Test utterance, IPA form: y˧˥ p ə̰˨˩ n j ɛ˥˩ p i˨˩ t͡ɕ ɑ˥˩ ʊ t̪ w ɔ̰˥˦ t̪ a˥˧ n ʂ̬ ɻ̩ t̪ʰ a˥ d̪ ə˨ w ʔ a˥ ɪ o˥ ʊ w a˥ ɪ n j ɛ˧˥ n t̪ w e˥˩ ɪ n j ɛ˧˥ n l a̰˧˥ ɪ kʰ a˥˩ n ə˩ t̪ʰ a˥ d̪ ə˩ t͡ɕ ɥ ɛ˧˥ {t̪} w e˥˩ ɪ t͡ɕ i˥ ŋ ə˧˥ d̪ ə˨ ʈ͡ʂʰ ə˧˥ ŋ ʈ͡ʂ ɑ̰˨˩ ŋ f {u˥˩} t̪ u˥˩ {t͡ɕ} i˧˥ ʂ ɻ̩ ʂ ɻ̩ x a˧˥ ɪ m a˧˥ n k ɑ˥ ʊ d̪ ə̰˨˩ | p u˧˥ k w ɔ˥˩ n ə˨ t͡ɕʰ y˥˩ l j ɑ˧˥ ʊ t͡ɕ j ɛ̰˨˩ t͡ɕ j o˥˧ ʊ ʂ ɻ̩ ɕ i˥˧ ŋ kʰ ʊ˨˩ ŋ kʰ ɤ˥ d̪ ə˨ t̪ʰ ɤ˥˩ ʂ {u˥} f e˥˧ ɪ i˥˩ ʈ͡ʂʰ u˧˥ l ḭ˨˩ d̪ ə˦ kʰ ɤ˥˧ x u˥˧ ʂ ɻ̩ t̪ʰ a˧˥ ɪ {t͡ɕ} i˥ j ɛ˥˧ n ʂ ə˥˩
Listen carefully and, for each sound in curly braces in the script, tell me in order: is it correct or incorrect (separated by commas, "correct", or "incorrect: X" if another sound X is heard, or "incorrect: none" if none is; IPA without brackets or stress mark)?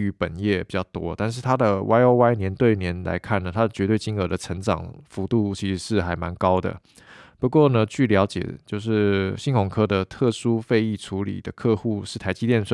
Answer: correct, incorrect: u˧˥, incorrect: t͡ɕʰ, correct, correct